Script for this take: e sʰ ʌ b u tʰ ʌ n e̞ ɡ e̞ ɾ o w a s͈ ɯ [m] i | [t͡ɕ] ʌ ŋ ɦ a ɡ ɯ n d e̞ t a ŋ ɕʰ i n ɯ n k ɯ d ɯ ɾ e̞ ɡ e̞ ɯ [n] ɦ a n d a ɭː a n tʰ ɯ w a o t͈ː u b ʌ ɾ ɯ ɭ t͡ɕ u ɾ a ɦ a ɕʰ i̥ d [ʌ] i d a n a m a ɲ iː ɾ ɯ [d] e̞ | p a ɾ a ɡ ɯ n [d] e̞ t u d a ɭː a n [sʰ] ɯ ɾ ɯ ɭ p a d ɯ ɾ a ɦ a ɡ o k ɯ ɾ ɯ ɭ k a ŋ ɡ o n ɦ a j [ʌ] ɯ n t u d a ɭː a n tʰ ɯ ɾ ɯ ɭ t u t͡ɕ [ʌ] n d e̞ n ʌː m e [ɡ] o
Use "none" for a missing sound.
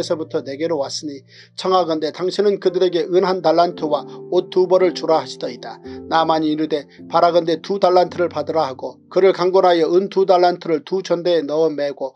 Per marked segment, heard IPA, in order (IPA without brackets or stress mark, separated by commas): ɲ, t͡ɕʰ, n, ʌ, d, d, tʰ, ʌ, ʌ, ɡ